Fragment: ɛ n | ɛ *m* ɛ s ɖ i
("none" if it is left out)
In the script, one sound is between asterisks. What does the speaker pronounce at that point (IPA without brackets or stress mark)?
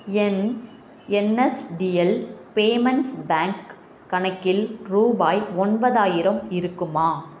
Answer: n